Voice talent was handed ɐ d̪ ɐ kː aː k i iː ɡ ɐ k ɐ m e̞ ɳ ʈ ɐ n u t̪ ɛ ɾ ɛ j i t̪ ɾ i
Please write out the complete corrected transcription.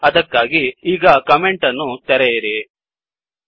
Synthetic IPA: ɐ d̪ ɐ kː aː ɡ i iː ɡ ɐ k ɐ m e̞ ɳ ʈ ɐ nː u t̪ ɛ ɾ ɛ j i ɾ i

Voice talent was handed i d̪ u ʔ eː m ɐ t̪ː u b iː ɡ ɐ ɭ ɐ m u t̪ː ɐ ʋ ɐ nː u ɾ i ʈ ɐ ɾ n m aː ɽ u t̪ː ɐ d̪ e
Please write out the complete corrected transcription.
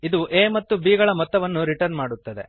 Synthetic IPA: i d̪ u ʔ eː m ɐ t̪ː u b iː ɡ ɐ ɭ ɐ m ɔ t̪ː ɐ ʋ ɐ nː u ɾ i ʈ ɐ ɾ n m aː ɽ u t̪ː ɐ d̪ e

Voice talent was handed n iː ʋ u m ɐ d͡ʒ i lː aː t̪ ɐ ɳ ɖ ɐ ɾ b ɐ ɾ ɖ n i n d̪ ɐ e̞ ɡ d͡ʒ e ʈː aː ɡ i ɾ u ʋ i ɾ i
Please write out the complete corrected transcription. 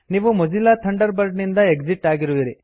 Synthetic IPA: n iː ʋ u m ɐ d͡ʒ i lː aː t̪ʰ ɐ ɳ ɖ ɐ ɾ b ɐ ɾ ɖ n i n d̪ ɐ e̞ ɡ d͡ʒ i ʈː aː ɡ i ɾ u ʋ i ɾ i

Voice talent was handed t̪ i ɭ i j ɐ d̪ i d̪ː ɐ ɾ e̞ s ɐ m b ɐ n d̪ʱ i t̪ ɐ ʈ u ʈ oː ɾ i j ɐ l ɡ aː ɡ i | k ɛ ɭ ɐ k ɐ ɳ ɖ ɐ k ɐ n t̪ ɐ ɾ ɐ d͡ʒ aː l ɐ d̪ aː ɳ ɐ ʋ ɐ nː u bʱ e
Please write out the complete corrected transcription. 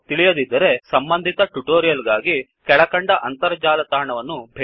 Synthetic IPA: t̪ i ɭ i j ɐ d̪ i d̪ː ɐ ɾ e̞ s ɐ m b ɐ n d̪ʱ i t̪ ɐ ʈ u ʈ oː ɾ i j ɐ l ɡ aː ɡ i | k ɛ ɭ ɐ k ɐ ɳ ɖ ɐ ʔ ɐ n t̪ ɐ ɾ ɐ d͡ʒ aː l ɐ t̪ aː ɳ ɐ ʋ ɐ nː u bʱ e

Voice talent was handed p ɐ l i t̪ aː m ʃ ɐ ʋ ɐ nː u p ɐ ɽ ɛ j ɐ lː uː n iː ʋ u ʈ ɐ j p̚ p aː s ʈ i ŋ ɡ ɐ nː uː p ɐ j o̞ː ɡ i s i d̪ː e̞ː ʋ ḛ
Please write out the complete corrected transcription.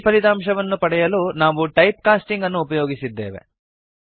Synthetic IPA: p ɐ l i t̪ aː m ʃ ɐ ʋ ɐ nː u p ɐ ɽ ɛ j ɐ l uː n aː ʋ u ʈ ɐ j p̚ k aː s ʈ i ŋ ɡ ɐ nː uː p ɐ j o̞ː ɡ i s i d̪ː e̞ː ʋ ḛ

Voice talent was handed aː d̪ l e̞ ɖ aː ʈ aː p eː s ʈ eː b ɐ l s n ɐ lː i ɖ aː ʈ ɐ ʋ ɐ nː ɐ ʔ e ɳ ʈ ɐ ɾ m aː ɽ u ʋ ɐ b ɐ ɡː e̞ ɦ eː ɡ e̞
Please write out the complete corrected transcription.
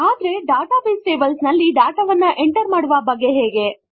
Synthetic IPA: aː d̪ ɾ e̞ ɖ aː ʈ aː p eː s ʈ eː b ɐ l s n ɐ lː i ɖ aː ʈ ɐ ʋ ɐ nː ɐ ʔ e ɳ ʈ ɐ ɾ m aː ɽ u ʋ ɐ b ɐ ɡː e̞ ɦ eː ɡ e̞

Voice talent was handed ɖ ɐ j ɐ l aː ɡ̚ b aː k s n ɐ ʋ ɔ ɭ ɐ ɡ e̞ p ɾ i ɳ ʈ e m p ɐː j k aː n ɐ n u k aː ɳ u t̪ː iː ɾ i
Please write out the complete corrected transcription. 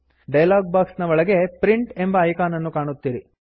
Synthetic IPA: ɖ ɐ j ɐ l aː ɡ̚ b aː k s n ɐ ʋ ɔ ɭ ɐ ɡ e̞ p ɾ i ɳ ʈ e m b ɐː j k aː n ɐ nː u k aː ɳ u t̪ː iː ɾ i

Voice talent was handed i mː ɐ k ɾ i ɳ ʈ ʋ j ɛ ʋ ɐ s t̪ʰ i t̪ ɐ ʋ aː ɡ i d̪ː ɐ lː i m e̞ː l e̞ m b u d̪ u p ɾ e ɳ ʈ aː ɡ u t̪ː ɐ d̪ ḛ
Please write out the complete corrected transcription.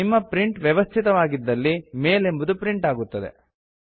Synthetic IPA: i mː ɐ p ɾ i ɳ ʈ ʋ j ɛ ʋ ɐ s t̪ʰ i t̪ ɐ ʋ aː ɡ i d̪ː ɐ lː i m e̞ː l e̞ m b u d̪ u p ɾ i ɳ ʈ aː ɡ u t̪ː ɐ d̪ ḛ

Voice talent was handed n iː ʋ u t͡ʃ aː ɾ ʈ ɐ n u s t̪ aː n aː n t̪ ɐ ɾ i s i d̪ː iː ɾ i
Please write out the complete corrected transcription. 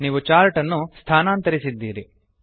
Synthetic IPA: n iː ʋ u t͡ʃ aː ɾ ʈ ɐ nː u s t̪ʰ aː n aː n t̪ ɐ ɾ i s i d̪ː iː ɾ i

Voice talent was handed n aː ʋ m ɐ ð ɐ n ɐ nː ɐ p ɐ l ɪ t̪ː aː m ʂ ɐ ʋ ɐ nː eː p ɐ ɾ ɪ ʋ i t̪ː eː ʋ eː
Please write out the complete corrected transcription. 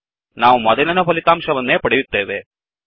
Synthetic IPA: n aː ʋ m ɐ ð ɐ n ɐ n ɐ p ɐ l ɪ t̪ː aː m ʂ ɐ ʋ ɐ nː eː p ɐ ɽ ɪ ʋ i t̪ː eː ʋ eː

